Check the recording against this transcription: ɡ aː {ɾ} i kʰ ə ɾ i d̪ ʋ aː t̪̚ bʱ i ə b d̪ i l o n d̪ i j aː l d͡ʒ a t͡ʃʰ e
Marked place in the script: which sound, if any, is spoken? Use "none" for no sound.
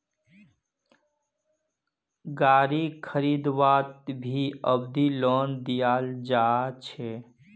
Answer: ɾ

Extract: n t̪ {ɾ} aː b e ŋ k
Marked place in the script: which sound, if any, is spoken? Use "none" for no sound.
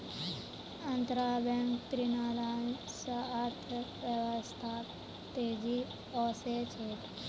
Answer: ɾ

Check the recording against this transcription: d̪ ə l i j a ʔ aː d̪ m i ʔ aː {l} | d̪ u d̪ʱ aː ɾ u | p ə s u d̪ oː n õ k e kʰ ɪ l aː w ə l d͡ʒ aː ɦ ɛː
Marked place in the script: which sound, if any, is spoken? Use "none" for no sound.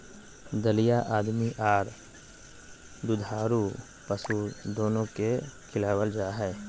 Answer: ɾ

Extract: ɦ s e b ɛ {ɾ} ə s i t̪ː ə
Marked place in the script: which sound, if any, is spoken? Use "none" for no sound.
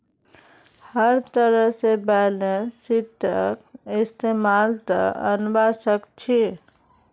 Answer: l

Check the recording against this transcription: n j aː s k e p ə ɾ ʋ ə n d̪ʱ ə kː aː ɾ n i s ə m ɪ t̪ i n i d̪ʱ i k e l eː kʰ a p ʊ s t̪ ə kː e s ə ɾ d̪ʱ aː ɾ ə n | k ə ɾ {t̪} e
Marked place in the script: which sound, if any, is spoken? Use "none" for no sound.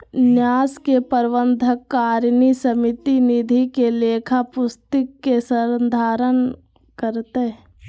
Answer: t̪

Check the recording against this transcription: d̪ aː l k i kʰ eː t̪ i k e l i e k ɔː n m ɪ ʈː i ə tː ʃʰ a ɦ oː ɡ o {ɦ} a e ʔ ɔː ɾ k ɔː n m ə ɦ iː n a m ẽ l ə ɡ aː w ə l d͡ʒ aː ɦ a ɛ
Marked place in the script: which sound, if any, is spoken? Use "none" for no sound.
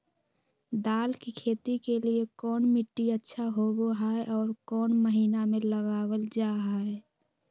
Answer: ɦ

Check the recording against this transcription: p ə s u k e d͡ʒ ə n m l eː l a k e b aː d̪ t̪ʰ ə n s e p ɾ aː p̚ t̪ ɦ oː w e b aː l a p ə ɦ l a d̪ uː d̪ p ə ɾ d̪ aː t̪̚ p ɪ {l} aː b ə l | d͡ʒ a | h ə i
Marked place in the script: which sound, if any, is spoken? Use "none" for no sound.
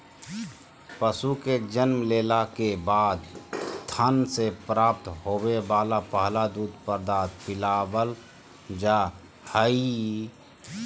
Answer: l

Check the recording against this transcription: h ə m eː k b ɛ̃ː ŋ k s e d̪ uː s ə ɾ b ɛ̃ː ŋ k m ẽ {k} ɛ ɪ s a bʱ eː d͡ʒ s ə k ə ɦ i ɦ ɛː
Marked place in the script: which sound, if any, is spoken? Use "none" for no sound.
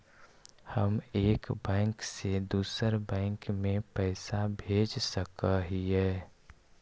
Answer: p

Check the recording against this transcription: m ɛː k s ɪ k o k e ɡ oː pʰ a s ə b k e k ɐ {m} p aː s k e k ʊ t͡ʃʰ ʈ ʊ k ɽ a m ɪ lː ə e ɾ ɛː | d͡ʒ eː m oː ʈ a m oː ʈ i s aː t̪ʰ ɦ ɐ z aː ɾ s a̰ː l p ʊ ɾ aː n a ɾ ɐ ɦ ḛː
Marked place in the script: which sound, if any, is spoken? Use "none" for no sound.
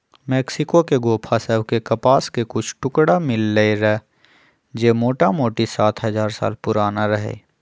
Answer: none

